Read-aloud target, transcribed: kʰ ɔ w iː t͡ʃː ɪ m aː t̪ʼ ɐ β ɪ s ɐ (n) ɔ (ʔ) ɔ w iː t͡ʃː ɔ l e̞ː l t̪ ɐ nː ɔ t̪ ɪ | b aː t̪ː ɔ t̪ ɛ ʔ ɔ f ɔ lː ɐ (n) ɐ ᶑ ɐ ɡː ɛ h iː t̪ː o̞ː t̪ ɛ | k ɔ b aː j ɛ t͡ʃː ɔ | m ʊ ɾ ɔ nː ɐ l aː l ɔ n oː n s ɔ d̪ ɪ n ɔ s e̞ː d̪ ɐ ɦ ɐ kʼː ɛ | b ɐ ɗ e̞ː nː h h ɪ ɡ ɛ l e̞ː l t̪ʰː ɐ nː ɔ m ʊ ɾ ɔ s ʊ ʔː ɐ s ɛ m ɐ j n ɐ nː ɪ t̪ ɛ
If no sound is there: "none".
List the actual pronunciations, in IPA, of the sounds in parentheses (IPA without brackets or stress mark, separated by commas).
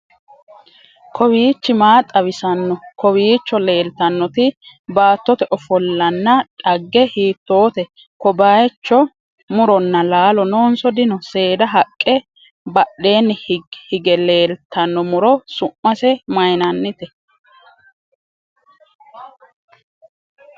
nː, k, nː